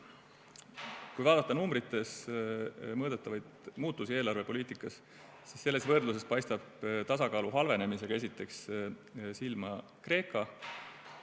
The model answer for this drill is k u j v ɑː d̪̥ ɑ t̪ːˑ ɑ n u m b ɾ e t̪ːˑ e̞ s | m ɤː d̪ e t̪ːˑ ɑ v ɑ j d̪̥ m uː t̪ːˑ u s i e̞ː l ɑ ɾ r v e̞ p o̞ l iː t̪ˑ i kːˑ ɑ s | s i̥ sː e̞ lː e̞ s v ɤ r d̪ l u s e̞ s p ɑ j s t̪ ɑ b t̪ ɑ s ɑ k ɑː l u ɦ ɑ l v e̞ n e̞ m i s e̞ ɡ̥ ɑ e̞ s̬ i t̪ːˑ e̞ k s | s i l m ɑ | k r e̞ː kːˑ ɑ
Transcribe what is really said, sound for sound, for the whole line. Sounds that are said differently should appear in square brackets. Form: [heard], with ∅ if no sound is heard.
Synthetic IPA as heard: k u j v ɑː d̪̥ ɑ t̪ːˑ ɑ n u m b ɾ [i] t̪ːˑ e̞ s | m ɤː d̪ e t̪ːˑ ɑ v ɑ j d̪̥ m uː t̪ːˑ u s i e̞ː l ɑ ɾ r v e̞ p o̞ l iː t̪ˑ i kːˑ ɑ s | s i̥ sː e̞ lː e̞ s v ɤ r d̪ l u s e̞ s p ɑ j s t̪ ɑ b t̪ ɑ s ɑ k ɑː l u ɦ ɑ l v e̞ n e̞ m i s e̞ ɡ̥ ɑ e̞ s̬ i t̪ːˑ e̞ k s | s i l m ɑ | k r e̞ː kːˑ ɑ